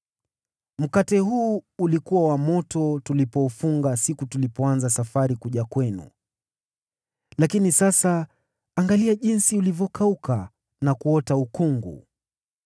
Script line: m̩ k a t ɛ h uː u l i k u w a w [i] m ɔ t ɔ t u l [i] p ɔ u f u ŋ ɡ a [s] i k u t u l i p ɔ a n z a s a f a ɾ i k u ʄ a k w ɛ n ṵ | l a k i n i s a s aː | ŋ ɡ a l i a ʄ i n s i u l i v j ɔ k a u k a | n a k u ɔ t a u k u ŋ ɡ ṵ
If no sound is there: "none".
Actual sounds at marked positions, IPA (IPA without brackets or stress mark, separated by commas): a, i, s